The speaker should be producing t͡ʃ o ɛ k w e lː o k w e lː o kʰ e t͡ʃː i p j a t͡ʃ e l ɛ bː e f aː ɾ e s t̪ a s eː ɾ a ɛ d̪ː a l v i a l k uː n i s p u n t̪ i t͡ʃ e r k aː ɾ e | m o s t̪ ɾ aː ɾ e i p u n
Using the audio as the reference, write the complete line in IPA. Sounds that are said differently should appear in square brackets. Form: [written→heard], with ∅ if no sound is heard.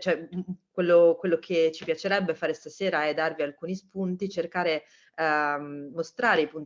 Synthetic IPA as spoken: t͡ʃ o ɛ k w e lː o k w e lː o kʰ e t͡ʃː i p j a t͡ʃ e [l→ɾ] ɛ bː e f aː ɾ e s t̪ a s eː ɾ a ɛ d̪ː a [l→r] v i a l k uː n i s p u n t̪ i t͡ʃ e r k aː ɾ e | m o s t̪ ɾ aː ɾ e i p u n